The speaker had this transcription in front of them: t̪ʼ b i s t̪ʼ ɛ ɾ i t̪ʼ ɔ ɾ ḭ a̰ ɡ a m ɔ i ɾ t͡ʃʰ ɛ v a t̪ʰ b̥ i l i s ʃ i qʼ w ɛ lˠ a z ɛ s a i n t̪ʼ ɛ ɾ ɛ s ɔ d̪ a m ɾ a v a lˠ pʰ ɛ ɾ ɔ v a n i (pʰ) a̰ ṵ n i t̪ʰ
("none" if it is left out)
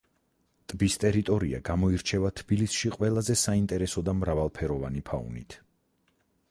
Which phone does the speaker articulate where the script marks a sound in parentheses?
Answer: pʰ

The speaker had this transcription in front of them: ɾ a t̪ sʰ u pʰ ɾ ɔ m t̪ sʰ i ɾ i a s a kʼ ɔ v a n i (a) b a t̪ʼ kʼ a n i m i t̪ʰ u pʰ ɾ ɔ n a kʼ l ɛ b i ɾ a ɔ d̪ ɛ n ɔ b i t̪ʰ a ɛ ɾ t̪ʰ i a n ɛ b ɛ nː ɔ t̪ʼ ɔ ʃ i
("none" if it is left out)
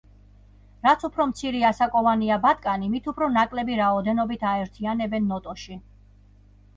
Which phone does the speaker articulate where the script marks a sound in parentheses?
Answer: a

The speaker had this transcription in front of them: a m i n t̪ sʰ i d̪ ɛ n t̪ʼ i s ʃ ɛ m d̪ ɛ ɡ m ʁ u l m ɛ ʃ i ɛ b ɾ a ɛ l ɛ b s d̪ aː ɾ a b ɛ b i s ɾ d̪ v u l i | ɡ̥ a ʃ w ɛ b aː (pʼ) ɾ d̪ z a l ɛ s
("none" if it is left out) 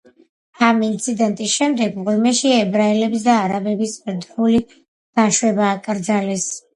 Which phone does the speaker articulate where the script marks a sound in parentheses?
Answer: kʼ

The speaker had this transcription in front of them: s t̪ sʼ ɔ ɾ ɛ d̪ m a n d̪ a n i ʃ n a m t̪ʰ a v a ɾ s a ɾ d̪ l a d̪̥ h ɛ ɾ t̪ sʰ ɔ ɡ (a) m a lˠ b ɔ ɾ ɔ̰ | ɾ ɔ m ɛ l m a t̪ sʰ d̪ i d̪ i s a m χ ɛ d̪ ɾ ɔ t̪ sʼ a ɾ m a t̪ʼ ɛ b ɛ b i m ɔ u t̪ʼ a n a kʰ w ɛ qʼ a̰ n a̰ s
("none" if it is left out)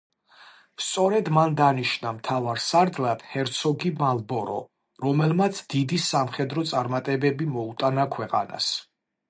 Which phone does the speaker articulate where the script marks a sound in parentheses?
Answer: i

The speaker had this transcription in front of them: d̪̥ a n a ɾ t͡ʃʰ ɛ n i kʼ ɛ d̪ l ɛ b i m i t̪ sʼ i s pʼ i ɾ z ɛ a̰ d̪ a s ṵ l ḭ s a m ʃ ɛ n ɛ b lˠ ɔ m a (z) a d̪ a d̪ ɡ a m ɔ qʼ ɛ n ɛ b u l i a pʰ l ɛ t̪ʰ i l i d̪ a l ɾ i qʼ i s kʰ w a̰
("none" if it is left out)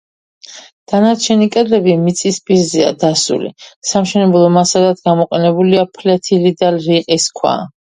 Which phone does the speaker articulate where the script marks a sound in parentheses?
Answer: s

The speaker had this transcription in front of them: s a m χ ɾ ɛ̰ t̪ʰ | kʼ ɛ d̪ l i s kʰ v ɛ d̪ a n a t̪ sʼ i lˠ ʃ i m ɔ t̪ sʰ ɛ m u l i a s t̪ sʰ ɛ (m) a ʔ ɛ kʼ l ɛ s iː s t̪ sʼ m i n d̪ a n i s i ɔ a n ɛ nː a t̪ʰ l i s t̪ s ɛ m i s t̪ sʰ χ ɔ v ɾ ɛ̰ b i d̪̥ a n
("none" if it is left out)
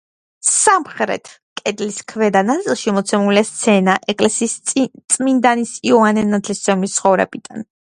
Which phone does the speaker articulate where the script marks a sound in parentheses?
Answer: n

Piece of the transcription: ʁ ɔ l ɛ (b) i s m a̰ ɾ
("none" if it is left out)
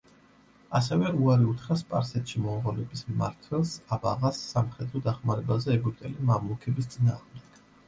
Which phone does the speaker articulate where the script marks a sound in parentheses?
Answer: b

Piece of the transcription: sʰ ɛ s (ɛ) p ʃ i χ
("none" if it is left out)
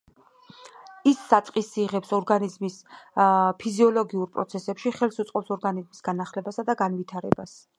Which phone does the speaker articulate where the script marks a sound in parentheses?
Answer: ɛ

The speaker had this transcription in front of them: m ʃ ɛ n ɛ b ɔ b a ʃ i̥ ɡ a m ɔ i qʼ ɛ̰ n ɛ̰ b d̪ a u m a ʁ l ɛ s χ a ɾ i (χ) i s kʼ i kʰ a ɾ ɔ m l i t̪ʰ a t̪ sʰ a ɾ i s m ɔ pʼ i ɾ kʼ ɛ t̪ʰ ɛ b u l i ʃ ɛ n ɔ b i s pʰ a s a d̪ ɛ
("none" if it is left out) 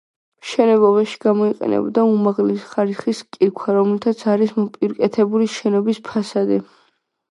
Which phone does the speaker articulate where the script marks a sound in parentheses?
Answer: χ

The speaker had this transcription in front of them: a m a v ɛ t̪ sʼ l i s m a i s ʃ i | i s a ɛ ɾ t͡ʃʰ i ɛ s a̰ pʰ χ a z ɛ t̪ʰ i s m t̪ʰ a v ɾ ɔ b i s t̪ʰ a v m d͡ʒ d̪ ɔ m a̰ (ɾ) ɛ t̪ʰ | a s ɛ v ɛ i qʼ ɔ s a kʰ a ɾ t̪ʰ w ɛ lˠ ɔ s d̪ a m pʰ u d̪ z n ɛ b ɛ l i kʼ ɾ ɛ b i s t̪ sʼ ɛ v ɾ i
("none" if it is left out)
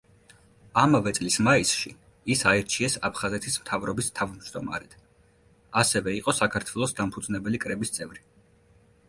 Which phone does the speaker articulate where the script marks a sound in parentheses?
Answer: ɾ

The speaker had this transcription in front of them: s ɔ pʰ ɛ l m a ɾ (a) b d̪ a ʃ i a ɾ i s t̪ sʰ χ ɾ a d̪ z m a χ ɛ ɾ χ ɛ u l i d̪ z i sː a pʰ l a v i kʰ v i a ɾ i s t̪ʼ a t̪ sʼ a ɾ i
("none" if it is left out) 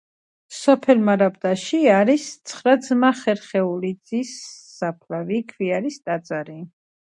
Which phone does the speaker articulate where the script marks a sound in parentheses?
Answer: a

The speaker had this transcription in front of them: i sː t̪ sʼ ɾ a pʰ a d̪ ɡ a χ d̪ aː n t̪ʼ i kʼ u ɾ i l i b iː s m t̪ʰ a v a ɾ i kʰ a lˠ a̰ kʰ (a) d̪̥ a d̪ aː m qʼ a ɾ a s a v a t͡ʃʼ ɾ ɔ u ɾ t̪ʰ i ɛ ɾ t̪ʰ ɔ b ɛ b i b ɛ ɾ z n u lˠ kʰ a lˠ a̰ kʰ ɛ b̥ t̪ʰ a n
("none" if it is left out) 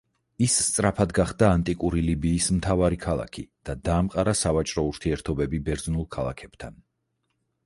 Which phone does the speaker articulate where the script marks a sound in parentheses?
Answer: i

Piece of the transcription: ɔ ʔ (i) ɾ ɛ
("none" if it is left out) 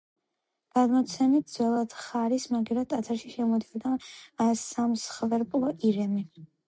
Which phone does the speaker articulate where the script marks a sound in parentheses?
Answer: i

